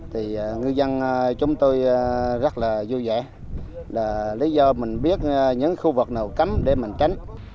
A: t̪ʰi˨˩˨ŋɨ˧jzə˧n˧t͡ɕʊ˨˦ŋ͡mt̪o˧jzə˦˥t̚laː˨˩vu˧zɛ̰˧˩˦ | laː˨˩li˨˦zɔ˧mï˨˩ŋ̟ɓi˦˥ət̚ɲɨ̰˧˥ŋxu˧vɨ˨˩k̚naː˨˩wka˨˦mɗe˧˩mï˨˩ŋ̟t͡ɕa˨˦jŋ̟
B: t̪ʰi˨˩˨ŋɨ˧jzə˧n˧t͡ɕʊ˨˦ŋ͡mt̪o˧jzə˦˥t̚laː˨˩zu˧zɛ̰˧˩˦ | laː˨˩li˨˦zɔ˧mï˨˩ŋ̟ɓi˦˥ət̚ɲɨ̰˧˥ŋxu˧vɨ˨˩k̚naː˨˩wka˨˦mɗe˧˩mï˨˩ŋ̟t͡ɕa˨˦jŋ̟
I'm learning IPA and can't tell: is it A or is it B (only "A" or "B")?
B